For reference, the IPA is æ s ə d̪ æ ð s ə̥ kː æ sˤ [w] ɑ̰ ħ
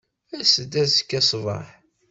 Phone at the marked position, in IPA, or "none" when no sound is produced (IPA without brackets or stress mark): v